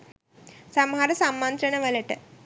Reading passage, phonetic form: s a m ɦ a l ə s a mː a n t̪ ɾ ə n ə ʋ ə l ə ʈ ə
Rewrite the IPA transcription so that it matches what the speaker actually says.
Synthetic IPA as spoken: s a m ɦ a ɾ ə s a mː a n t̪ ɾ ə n ə ʋ ə l ə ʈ ə

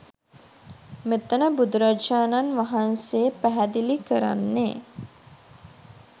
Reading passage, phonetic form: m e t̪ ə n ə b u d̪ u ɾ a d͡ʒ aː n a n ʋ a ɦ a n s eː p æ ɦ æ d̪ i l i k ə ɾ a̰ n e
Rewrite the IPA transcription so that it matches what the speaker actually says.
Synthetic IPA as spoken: m e t̪ ə n ə b u d̪ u ɾ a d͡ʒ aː n a n ʋ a ɦ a n s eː p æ ɦ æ d̪ i l i k ə ɾ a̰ nː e

